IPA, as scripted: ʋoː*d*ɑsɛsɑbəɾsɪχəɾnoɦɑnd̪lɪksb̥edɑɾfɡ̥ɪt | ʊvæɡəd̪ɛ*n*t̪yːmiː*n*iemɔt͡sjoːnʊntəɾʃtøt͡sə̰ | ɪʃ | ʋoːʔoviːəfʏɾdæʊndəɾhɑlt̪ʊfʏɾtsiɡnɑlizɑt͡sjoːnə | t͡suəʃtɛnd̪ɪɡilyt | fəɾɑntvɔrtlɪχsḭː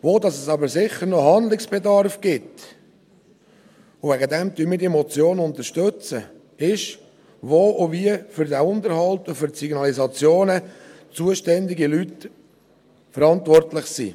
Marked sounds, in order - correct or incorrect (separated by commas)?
correct, incorrect, incorrect